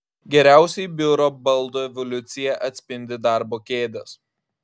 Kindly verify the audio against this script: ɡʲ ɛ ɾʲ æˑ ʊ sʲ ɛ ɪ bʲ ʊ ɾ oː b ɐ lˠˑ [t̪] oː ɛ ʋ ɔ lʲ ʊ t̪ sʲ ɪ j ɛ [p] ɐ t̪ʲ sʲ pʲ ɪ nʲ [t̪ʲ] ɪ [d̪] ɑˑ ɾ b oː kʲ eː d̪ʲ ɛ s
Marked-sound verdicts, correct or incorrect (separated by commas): incorrect, incorrect, incorrect, correct